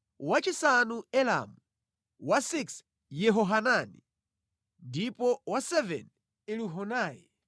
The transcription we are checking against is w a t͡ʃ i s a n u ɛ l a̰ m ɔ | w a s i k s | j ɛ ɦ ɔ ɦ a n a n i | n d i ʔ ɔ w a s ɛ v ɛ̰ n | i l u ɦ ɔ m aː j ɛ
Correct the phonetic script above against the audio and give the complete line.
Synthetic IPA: w a t͡ʃ i s a n u ɛ l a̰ m u | w a s i k s | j ɛ ɦ ɔ ɦ a n a n i | n d i p ɔ w a s ɛ v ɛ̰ n | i l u ɦ ɔ n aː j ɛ